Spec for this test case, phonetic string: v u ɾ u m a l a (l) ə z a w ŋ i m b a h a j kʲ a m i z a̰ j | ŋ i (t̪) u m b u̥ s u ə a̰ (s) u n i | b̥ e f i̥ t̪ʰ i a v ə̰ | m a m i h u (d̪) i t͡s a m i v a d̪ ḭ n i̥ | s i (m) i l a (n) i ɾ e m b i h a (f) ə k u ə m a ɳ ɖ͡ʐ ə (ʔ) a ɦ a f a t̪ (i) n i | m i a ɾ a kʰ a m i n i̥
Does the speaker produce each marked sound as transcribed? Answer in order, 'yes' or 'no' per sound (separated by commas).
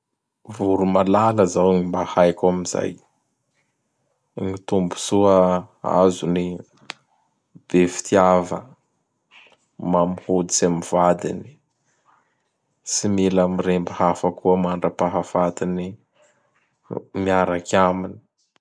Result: yes, yes, no, yes, yes, no, yes, no, yes